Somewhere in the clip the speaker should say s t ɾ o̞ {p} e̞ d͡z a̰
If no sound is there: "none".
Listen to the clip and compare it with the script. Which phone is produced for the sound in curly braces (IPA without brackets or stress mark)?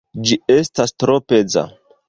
p